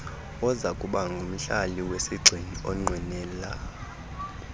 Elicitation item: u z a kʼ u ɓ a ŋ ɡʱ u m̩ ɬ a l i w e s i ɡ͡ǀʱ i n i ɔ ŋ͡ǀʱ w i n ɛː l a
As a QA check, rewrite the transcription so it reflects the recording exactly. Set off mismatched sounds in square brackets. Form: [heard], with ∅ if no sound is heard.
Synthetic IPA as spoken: [ɔ] z a kʼ u ɓ a ŋ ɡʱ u m̩ ɬ a l i w e s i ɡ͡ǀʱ i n i ɔ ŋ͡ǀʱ w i n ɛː l a